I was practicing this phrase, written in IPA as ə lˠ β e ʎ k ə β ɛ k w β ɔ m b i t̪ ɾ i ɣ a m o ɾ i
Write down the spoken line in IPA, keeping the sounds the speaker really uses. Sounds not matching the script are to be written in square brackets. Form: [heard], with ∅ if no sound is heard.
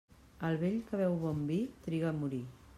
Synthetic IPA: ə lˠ β e ʎ k ə β ɛ [∅] w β ɔ m b i t̪ ɾ i ɣ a m [u] ɾ i